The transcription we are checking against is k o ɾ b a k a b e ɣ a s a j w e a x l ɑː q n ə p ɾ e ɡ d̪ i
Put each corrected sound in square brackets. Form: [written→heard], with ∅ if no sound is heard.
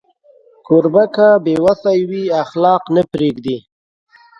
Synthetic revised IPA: k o ɾ b a k a b e [ɣ→w] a s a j w [e→i] a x l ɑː q n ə p ɾ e ɡ d̪ i